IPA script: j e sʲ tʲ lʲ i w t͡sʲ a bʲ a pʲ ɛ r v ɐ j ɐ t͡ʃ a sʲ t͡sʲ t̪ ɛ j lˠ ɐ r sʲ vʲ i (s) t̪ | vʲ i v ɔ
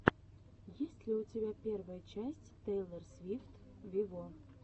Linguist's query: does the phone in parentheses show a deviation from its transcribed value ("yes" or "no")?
yes